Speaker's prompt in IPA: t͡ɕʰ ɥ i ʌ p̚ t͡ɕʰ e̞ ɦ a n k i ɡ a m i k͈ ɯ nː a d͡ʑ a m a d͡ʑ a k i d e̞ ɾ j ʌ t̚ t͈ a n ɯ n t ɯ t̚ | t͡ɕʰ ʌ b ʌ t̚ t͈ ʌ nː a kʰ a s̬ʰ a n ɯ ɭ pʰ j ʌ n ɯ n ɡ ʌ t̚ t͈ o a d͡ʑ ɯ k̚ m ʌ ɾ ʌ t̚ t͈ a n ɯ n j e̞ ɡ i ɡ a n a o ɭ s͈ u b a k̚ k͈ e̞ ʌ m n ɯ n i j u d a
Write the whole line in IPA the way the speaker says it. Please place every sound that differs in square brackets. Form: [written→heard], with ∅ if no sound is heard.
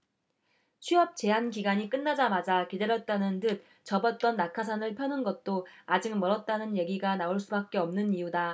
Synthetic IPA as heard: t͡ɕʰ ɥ i ʌ p̚ [t͡ɕʰ→t͡ɕ] e̞ ɦ a n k i ɡ a [m→ɲ] i k͈ ɯ nː a d͡ʑ a m a d͡ʑ a k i d e̞ ɾ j ʌ t̚ t͈ a n ɯ n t ɯ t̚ | [t͡ɕʰ→t͡ɕ] ʌ b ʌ t̚ t͈ ʌ nː a kʰ a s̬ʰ a n ɯ ɭ pʰ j ʌ n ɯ n ɡ ʌ t̚ t͈ o a d͡ʑ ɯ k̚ m ʌ ɾ ʌ t̚ t͈ a n ɯ n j e̞ ɡ i ɡ a n a o ɭ s͈ u b a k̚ k͈ e̞ ʌ m n ɯ n i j u d a

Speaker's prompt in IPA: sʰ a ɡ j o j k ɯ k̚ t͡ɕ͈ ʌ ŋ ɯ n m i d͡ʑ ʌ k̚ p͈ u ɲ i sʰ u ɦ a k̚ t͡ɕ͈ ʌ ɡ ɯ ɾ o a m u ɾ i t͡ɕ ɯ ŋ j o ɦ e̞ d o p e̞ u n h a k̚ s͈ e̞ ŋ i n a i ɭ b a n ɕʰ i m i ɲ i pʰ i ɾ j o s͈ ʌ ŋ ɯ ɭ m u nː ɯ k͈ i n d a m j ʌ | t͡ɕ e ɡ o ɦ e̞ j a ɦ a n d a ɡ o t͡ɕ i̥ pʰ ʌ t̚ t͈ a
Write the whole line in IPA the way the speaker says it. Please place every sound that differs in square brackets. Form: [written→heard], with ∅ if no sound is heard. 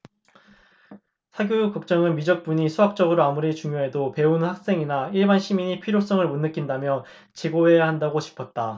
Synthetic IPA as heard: sʰ a ɡ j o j k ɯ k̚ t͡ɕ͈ ʌ ŋ ɯ n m i d͡ʑ ʌ k̚ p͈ u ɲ i sʰ u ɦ a k̚ t͡ɕ͈ ʌ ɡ ɯ ɾ o a m u ɾ i t͡ɕ [ɯ→u] ŋ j o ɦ e̞ d o p e̞ u n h a k̚ s͈ e̞ ŋ i n a i ɭ b a n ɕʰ i m i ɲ i pʰ i ɾ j o s͈ ʌ ŋ ɯ ɭ m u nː ɯ k͈ i n d a m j ʌ | t͡ɕ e ɡ o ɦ e̞ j a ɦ a n d a ɡ o t͡ɕ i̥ pʰ ʌ t̚ t͈ a

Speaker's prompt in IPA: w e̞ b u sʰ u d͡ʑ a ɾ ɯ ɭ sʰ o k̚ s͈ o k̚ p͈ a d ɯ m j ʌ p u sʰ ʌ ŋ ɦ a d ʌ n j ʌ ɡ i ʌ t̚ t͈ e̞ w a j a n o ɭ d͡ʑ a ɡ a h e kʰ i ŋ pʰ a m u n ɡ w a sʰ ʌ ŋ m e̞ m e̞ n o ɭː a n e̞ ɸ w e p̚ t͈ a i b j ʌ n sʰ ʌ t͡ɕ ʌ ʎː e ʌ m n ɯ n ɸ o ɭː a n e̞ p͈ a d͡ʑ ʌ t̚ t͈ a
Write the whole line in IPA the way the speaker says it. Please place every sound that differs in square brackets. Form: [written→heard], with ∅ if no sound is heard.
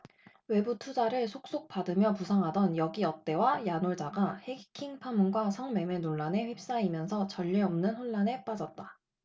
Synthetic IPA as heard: w e̞ b u [sʰ→tʰ] u d͡ʑ a ɾ ɯ ɭ sʰ o k̚ s͈ o k̚ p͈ a d ɯ m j ʌ p u sʰ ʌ ŋ ɦ a d ʌ n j ʌ ɡ i ʌ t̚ t͈ e̞ w a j a n o ɭ d͡ʑ a ɡ a h e kʰ i ŋ pʰ a m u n ɡ w a sʰ ʌ ŋ m e̞ m e̞ n o ɭː a n e̞ ɸ w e p̚ [t͈→s͈] a i [b→m] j ʌ n sʰ ʌ t͡ɕ ʌ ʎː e ʌ m n ɯ n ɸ o ɭː a n e̞ p͈ a d͡ʑ ʌ t̚ t͈ a

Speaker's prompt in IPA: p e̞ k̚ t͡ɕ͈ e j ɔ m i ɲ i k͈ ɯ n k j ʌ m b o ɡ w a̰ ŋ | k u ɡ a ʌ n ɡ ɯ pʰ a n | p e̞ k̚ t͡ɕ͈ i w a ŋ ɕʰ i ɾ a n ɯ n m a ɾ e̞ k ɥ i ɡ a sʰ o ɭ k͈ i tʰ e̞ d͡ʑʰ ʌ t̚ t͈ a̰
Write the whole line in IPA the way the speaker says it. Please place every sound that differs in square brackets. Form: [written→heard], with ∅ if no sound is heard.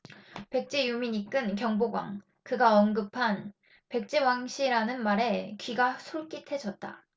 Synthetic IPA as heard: p e̞ k̚ t͡ɕ͈ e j [ɔ→u] m i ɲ i k͈ ɯ n k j ʌ [m→ŋ] b o ɡ w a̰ ŋ | k [u→ɯ] ɡ a ʌ n ɡ ɯ pʰ a n | p e̞ k̚ t͡ɕ͈ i w a ŋ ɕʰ i ɾ a n ɯ n m a ɾ e̞ k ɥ i ɡ a sʰ o ɭ k͈ i tʰ e̞ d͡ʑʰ ʌ t̚ t͈ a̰

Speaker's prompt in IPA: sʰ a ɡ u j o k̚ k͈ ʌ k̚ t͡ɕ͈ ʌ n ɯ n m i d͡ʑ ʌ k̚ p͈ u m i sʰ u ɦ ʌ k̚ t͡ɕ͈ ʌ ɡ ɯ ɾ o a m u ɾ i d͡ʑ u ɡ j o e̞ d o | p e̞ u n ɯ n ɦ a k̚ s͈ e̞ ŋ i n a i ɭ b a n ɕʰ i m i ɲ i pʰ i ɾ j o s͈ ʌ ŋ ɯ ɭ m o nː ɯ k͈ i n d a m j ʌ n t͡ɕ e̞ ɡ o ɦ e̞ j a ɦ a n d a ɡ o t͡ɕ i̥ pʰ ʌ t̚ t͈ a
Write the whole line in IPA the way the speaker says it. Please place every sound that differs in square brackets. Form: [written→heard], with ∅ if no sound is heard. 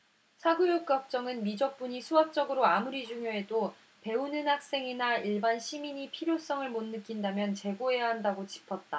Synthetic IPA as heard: sʰ a ɡ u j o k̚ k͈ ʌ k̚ t͡ɕ͈ ʌ [n→ŋ] ɯ n m i d͡ʑ ʌ k̚ p͈ u [m→ɲ] i sʰ u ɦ [ʌ→a] k̚ t͡ɕ͈ ʌ ɡ ɯ ɾ o a m u ɾ i d͡ʑ u [ɡ→ŋ] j o e̞ d o | p e̞ u n ɯ n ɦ a k̚ s͈ e̞ ŋ i n a i ɭ b a n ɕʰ i m i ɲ i pʰ i ɾ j o s͈ ʌ ŋ ɯ ɭ m o nː ɯ k͈ i n d a m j ʌ n t͡ɕ e̞ ɡ o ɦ e̞ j a ɦ a n d a ɡ o t͡ɕ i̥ pʰ ʌ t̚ t͈ a

